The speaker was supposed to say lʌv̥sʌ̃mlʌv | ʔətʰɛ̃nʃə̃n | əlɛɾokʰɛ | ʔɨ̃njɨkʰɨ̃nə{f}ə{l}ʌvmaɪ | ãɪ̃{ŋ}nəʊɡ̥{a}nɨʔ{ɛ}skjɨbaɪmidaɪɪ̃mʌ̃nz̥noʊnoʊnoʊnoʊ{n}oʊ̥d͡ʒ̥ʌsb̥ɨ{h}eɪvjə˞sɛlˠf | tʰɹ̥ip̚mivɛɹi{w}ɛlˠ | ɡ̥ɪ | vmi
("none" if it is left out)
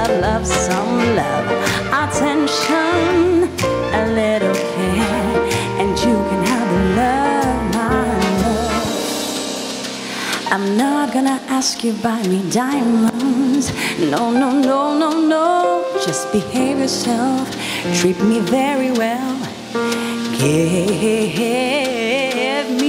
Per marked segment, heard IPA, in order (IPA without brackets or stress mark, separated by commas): v, l, m, ʌ, æ, n, h, w